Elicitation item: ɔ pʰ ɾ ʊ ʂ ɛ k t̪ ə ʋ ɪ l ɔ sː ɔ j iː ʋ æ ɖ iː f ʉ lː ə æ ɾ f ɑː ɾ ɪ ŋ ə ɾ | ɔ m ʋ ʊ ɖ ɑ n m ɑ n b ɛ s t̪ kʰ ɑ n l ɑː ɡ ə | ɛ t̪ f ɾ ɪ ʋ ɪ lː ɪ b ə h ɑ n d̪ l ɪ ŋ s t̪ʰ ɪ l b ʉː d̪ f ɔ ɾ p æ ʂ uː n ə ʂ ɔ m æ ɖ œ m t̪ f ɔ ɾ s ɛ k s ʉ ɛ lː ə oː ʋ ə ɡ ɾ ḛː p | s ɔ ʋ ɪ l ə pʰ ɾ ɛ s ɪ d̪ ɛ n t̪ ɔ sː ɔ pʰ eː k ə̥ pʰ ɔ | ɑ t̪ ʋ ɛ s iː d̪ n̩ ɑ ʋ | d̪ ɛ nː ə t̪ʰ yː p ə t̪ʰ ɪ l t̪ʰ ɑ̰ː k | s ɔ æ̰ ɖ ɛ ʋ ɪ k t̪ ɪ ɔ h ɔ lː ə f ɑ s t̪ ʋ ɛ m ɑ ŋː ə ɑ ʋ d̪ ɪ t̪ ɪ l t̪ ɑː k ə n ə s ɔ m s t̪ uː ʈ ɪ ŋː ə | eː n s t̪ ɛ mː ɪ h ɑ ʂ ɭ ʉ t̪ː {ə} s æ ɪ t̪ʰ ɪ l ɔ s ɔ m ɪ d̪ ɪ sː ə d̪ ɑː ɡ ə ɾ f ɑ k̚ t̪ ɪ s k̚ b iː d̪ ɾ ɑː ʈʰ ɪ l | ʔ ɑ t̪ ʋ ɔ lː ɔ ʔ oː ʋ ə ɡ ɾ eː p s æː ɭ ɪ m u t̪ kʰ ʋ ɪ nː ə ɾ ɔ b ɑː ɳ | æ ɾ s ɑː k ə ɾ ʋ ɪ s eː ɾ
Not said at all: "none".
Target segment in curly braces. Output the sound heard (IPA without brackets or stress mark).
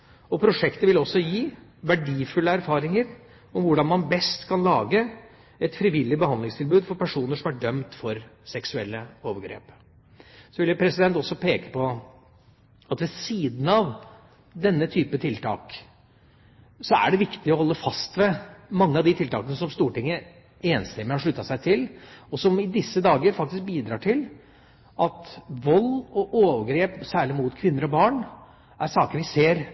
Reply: ɑ